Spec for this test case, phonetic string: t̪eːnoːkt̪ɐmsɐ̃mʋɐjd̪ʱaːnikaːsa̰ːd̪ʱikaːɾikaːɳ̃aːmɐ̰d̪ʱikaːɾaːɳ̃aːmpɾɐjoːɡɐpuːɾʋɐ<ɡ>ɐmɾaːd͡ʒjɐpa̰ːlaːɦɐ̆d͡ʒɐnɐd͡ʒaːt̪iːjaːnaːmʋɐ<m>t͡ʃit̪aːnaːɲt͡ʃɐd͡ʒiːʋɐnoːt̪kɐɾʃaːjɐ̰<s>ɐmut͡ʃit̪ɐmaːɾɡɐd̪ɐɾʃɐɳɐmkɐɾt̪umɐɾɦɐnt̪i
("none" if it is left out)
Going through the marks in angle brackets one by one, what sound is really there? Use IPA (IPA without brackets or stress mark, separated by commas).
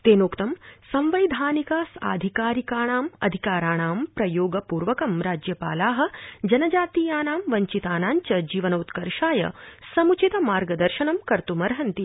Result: k, ɲ, s